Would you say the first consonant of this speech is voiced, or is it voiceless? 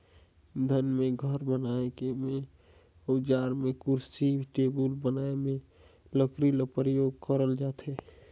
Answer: voiced